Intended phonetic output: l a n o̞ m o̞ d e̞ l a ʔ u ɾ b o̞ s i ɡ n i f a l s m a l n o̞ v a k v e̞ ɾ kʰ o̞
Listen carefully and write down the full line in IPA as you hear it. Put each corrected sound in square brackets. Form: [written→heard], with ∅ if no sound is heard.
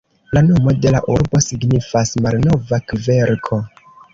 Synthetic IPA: l a n o̞ m o̞ d e̞ l a ʔ u ɾ b o̞ s i ɡ n i f a [l→∅] s m a l n o̞ v a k v e̞ ɾ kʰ o̞